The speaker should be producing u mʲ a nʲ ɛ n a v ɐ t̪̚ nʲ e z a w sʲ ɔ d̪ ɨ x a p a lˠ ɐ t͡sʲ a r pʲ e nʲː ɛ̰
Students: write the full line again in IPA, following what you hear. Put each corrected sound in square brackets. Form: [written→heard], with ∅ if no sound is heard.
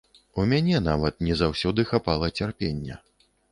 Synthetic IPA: u mʲ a nʲ ɛ n a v ɐ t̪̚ nʲ [e→ɛ] z a w sʲ ɔ d̪ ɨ x a p a lˠ ɐ t͡sʲ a r pʲ e nʲː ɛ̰